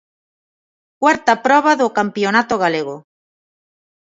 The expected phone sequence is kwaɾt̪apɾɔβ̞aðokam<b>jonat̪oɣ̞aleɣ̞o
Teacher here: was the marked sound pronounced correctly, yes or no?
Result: no